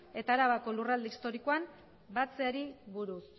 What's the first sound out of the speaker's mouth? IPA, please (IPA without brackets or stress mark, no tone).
e̞